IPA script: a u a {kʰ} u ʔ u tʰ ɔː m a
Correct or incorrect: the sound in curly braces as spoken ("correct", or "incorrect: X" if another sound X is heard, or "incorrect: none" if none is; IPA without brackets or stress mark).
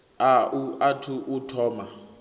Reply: incorrect: tʰ